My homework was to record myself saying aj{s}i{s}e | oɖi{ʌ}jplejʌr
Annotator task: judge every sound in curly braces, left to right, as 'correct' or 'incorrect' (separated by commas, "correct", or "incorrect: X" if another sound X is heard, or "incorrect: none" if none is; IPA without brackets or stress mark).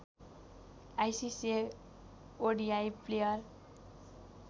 correct, correct, incorrect: a